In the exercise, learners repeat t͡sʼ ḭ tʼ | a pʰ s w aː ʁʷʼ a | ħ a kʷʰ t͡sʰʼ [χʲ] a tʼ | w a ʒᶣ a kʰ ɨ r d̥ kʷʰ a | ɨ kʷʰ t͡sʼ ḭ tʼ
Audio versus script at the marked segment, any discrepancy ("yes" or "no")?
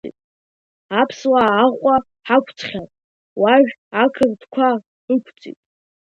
no